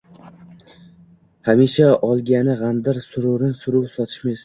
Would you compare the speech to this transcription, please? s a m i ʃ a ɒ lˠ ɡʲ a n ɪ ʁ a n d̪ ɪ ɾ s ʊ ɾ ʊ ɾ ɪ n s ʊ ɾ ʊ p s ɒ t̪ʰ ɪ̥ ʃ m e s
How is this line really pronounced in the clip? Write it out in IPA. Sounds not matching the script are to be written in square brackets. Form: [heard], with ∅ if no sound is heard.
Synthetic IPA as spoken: [h] a m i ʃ a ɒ lˠ ɡʲ a n ɪ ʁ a n d̪ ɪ ɾ s ʊ ɾ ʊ ɾ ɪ n s ʊ ɾ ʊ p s ɒ t̪ʰ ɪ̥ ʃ m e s